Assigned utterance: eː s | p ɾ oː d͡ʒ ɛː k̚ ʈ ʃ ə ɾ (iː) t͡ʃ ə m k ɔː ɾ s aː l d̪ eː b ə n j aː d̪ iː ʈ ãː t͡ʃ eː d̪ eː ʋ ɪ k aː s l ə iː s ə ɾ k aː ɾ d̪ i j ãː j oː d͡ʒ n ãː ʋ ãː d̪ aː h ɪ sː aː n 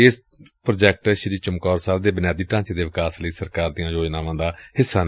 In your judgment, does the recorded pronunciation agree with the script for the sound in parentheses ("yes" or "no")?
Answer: yes